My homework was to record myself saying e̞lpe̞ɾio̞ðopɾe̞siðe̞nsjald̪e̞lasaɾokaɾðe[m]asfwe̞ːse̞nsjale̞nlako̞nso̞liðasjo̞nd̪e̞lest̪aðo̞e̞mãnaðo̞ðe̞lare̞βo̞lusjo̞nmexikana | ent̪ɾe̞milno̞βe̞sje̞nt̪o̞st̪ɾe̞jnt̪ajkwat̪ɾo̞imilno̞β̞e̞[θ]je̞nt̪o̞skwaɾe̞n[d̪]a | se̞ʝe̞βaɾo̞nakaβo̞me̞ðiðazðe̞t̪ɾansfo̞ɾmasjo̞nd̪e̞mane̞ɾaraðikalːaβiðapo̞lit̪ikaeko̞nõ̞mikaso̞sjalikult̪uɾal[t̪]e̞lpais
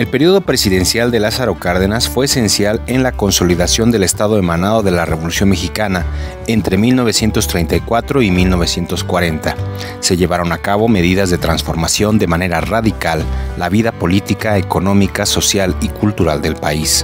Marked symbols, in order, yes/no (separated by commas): no, no, no, no